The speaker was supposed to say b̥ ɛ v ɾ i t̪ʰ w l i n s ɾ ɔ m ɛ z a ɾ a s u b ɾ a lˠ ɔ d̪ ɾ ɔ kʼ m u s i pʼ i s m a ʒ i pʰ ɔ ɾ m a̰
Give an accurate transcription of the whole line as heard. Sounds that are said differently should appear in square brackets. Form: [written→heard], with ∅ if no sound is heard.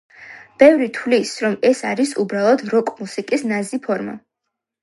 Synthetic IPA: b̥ ɛ v ɾ i t̪ʰ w l i [n→∅] s ɾ ɔ m ɛ [z→s] a ɾ [a→i] s u b ɾ a lˠ ɔ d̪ ɾ ɔ kʼ m u s i [pʼ→kʼ] i s [m→n] a [ʒ→z] i pʰ ɔ ɾ m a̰